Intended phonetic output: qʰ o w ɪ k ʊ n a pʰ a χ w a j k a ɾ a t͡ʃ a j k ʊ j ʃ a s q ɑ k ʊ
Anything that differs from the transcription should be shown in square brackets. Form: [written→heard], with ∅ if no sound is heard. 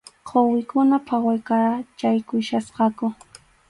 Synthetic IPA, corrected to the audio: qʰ o w ɪ k ʊ n a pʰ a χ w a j k a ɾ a t͡ʃ a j k ʊ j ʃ a s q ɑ k ʊ